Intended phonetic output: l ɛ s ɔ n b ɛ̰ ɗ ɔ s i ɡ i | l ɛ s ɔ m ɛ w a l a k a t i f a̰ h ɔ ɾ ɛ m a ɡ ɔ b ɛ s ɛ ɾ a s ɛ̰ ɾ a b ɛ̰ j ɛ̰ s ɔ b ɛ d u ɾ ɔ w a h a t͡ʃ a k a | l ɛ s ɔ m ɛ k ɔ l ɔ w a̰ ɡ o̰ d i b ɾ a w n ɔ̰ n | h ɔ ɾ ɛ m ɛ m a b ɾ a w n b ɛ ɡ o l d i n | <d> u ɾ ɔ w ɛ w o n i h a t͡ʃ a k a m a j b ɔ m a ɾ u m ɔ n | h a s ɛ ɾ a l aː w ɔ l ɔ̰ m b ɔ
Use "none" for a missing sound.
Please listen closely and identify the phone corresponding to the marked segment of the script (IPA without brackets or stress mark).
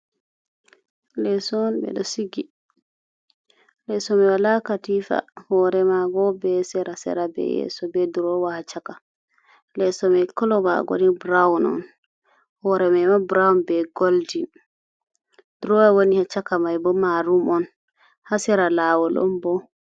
d